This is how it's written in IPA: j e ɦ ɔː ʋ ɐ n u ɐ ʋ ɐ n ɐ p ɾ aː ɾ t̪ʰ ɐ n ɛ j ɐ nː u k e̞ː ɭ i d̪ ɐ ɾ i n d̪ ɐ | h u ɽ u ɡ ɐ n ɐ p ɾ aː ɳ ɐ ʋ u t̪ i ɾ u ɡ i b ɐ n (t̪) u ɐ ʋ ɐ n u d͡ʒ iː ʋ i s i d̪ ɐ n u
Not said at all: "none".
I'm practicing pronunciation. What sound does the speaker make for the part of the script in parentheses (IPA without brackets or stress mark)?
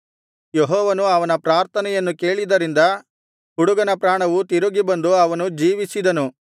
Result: d̪